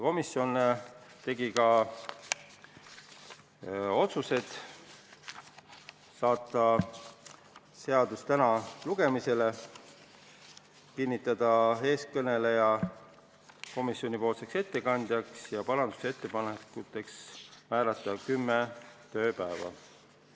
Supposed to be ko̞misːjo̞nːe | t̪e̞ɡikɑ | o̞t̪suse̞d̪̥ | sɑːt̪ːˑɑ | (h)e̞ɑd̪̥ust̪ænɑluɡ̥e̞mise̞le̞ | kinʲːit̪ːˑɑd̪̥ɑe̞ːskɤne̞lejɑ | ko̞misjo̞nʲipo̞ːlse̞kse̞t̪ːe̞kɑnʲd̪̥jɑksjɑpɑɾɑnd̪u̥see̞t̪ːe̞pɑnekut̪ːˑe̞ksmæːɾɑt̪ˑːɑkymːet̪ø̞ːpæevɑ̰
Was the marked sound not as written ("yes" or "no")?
yes